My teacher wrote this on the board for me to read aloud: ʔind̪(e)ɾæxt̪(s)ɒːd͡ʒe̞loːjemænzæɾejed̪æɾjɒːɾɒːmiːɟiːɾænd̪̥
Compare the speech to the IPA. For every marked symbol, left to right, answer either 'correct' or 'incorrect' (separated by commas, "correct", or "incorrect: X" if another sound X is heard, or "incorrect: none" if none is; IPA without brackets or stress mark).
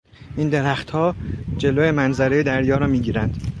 correct, incorrect: h